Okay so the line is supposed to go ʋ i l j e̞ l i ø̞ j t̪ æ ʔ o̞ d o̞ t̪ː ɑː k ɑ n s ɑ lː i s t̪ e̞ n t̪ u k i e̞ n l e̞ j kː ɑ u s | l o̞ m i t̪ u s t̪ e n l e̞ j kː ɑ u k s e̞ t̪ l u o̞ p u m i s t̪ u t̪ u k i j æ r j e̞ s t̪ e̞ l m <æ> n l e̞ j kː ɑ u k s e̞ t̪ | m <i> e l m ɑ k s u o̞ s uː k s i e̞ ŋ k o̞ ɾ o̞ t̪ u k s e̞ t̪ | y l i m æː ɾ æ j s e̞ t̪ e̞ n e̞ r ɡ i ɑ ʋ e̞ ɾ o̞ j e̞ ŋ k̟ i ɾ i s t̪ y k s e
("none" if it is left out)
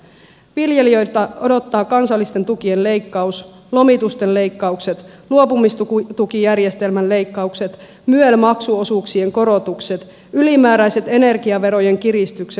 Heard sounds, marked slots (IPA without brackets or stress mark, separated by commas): æ, y